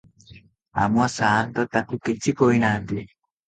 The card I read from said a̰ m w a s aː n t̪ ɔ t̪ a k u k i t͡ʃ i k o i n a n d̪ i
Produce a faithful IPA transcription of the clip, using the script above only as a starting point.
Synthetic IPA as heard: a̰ m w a s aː n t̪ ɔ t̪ a k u k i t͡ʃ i k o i n a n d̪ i